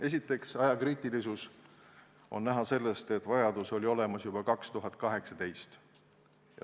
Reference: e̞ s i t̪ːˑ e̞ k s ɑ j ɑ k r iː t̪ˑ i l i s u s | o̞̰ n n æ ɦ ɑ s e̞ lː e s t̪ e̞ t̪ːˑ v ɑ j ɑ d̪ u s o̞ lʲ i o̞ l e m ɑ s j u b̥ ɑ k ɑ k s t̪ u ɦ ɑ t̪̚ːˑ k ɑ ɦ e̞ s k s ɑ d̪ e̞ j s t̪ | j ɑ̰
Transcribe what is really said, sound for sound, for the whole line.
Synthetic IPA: e̞ s i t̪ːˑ e̞ k s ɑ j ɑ k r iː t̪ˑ i l i s u s | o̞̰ n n æ ɦ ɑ s e̞ lː e s t̪ e̞ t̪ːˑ v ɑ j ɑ d̪ u s o̞ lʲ i o̞ l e m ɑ s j u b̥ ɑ k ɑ k s t̪ u ɦ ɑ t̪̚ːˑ k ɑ ɦ e̞ k s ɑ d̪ e̞ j s t̪ | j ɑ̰